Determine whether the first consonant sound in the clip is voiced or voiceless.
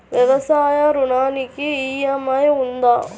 voiced